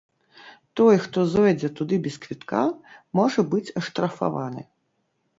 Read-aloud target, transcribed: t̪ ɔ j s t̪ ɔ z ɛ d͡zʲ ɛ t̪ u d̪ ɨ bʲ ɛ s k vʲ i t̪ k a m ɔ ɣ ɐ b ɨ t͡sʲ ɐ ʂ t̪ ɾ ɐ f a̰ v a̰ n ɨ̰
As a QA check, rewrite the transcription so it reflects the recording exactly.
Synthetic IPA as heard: t̪ ɔ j x t̪ ɔ z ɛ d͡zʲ ɛ t̪ u d̪ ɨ bʲ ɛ s k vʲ i t̪ k a m ɔ ʐ ɐ b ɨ t͡sʲ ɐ ʂ t̪ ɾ ɐ f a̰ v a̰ n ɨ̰